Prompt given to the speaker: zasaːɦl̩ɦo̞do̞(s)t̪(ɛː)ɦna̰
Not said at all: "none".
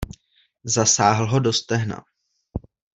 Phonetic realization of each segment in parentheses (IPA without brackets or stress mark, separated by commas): s, ɛ